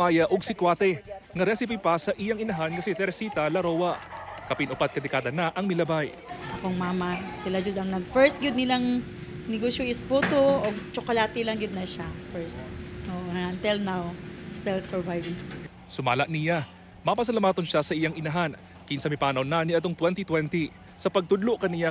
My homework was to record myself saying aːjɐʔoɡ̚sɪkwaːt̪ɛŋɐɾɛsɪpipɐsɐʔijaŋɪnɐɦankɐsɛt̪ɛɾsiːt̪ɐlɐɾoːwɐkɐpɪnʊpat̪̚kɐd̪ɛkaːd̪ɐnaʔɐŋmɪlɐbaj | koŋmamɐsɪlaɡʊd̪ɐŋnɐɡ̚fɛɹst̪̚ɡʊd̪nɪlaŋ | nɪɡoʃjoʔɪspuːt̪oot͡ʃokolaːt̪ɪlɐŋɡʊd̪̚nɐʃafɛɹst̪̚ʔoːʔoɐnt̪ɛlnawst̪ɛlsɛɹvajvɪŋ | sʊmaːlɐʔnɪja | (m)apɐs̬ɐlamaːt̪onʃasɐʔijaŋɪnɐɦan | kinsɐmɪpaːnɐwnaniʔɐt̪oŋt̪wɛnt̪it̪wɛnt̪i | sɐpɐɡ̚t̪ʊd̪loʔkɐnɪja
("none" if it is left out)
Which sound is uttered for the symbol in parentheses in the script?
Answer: m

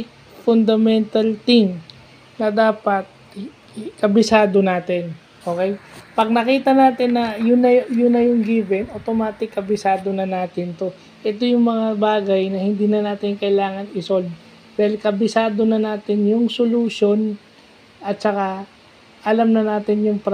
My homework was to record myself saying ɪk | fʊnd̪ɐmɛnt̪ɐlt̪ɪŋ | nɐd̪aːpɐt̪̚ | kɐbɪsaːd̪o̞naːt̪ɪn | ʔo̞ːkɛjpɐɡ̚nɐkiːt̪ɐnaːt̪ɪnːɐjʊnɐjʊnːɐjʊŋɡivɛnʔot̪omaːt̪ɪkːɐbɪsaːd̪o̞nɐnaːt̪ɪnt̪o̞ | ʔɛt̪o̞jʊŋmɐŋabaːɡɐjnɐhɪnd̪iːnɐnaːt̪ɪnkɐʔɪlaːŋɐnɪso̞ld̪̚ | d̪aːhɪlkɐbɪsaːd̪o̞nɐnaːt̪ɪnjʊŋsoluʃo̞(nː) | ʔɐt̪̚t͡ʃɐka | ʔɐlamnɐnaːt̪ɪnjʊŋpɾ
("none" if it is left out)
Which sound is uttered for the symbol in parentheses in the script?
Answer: n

